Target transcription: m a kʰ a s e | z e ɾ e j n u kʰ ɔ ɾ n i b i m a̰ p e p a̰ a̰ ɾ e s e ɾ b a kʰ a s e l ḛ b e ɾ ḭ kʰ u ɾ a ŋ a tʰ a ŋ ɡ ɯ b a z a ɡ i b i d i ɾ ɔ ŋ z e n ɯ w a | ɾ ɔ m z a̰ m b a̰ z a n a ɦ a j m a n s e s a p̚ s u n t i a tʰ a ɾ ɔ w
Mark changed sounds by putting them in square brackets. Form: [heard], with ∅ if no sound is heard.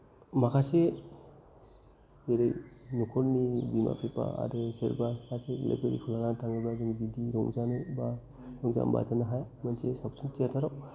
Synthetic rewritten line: m a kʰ a s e | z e ɾ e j n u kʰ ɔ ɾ n i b i m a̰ p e p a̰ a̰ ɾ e s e ɾ b a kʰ a s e l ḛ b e ɾ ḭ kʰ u [l] a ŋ a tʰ a ŋ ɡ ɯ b a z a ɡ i b i d i ɾ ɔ ŋ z [a] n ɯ [b] a | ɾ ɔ [ŋ] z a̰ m b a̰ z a n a ɦ a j m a n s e s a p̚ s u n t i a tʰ a ɾ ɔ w